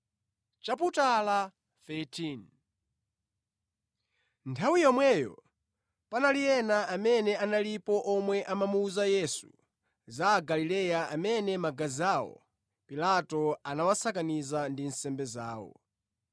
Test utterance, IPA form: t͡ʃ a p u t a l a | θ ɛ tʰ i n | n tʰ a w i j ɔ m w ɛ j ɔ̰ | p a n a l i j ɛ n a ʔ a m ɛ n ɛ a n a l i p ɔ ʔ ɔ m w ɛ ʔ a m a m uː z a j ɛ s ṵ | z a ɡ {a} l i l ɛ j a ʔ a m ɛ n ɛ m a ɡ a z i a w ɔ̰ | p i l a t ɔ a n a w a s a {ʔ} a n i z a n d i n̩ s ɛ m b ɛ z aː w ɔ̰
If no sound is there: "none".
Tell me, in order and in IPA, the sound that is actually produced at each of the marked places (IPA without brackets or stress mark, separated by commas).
a, k